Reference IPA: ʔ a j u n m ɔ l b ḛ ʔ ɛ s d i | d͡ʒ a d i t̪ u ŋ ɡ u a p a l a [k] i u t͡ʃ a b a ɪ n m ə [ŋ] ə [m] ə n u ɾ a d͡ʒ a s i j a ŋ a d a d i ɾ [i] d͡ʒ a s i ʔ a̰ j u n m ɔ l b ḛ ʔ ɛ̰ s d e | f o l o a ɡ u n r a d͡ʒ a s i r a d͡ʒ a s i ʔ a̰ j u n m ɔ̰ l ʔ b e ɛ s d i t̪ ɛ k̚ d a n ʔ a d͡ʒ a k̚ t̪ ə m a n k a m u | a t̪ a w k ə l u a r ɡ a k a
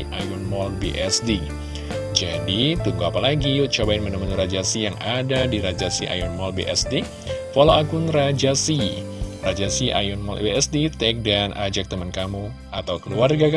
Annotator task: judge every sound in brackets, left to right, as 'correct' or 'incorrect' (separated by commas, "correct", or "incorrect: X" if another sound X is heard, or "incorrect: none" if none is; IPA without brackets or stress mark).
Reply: incorrect: ɡ, incorrect: n, correct, incorrect: a